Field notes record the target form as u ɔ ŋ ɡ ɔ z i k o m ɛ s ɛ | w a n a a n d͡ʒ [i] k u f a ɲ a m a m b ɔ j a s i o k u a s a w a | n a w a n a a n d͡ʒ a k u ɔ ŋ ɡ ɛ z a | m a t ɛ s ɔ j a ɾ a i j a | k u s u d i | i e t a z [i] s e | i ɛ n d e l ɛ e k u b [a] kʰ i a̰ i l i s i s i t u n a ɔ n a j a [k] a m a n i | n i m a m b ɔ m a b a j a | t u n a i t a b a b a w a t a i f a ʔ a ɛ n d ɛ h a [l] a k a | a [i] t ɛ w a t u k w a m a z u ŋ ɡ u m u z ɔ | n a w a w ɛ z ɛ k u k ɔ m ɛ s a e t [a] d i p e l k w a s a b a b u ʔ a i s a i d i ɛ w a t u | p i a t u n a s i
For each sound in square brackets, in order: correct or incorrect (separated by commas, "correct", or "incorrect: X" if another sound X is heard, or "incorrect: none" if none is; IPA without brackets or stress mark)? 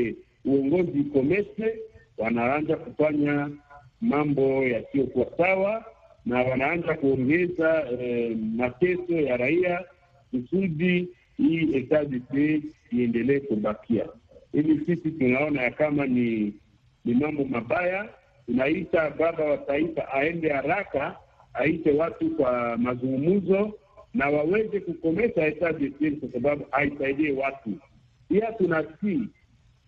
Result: incorrect: a, correct, correct, correct, incorrect: ɾ, correct, correct